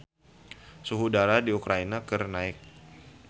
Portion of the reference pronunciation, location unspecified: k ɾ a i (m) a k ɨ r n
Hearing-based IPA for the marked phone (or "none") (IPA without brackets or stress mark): n